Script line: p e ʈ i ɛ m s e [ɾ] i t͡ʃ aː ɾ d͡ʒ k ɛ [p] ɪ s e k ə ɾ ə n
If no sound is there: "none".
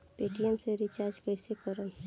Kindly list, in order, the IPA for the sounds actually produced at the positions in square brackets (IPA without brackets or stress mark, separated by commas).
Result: ɾ, none